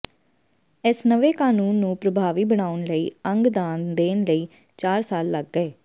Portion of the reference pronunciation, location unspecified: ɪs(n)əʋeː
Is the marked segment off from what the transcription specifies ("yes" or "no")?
no